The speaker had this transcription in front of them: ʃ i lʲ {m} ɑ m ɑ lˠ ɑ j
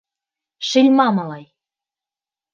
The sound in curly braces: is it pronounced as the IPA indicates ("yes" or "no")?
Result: yes